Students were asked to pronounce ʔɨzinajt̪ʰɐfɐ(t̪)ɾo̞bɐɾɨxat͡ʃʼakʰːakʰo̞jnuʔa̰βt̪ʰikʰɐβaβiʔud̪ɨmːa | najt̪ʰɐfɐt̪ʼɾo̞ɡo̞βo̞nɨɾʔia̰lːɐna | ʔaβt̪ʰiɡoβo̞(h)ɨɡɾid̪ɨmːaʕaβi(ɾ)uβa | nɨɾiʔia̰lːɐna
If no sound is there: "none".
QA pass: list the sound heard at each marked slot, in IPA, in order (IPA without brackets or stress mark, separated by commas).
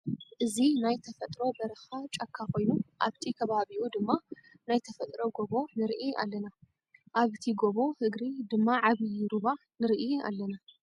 t̪ʼ, h, ɾ